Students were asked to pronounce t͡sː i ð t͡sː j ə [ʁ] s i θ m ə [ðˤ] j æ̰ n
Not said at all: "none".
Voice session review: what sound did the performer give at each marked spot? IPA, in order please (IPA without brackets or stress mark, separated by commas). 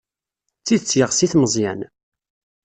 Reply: ʁ, zˤ